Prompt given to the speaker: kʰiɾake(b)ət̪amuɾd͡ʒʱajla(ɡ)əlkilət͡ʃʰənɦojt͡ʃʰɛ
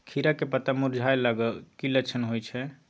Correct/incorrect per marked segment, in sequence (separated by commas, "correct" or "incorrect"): incorrect, correct